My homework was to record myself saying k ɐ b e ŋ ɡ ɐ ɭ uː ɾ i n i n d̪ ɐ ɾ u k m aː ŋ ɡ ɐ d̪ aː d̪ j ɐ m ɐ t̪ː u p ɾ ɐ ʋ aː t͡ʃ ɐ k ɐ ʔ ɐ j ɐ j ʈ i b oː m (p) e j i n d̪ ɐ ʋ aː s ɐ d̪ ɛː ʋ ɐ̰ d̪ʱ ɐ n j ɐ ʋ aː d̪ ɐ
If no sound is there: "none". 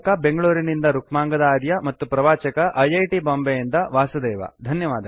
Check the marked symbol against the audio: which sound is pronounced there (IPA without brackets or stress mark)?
b